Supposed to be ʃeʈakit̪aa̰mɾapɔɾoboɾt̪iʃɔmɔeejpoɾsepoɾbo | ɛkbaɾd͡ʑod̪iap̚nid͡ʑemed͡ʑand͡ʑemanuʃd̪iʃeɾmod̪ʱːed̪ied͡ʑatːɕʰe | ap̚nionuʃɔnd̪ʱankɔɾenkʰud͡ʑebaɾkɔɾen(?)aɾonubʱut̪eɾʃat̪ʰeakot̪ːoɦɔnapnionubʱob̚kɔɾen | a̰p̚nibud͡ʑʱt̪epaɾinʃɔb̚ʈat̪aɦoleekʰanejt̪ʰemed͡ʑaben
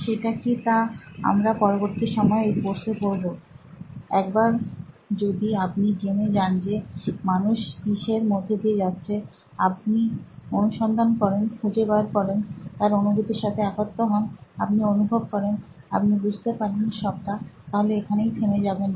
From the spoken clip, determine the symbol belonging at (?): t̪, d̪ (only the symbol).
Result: t̪